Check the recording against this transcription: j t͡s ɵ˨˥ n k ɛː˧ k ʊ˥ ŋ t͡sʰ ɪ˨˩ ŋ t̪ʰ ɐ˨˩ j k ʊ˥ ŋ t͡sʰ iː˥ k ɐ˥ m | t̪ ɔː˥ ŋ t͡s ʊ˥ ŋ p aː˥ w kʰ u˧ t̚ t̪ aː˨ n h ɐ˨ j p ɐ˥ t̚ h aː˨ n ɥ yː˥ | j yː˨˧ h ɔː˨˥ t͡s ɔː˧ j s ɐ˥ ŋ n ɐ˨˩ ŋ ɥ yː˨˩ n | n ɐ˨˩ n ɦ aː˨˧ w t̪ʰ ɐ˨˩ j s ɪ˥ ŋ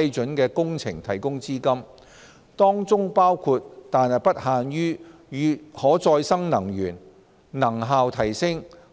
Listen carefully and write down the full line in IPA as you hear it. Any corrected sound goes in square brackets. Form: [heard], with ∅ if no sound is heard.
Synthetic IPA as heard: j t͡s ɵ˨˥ n k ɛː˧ k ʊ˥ ŋ t͡sʰ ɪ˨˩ ŋ t̪ʰ ɐ˨˩ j k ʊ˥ ŋ [t͡s] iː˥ k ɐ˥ m | t̪ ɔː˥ ŋ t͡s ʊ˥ ŋ p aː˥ w kʰ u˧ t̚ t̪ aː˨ n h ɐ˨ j p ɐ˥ t̚ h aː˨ n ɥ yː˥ | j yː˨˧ h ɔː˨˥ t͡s ɔː˧ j s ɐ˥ ŋ n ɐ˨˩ ŋ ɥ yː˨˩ n | n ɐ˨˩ [ŋ] ɦ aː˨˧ w t̪ʰ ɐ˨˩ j s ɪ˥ ŋ